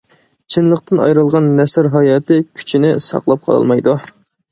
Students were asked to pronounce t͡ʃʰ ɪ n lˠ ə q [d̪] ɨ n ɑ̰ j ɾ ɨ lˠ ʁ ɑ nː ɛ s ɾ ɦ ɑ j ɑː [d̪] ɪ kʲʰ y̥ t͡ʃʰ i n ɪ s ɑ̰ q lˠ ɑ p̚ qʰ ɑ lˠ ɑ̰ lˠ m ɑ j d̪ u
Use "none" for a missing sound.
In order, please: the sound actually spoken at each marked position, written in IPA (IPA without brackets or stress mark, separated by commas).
t̪, t̪